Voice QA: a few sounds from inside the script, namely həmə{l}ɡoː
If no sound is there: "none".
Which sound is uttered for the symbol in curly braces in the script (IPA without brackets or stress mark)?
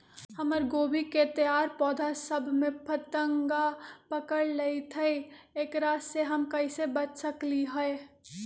ɾ